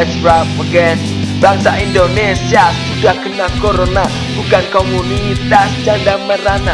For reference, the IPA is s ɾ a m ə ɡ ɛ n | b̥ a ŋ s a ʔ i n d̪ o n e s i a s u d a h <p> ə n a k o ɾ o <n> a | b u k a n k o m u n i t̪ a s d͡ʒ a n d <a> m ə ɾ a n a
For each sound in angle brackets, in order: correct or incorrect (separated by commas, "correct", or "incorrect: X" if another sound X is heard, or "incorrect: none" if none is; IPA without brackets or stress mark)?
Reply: incorrect: k, correct, correct